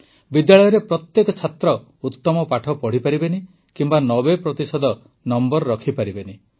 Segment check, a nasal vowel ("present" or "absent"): absent